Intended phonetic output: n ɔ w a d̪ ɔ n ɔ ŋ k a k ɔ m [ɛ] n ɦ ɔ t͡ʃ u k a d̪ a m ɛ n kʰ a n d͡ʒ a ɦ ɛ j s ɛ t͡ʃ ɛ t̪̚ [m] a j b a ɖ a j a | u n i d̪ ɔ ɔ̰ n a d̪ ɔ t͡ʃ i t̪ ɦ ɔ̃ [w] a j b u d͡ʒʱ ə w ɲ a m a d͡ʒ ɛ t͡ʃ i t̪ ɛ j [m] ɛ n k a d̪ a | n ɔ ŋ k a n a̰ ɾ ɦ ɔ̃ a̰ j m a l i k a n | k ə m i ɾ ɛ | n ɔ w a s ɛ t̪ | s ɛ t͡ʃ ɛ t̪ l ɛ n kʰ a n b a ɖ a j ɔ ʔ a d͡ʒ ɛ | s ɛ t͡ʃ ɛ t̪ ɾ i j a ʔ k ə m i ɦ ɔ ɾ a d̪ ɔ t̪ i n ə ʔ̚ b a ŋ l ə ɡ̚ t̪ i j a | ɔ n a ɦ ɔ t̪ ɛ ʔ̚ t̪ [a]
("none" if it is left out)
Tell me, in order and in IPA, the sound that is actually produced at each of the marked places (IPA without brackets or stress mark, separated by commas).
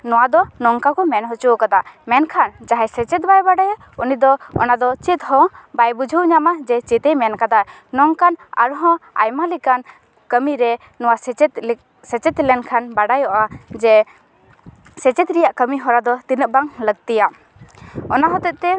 ɛ, b, b, m, ɛ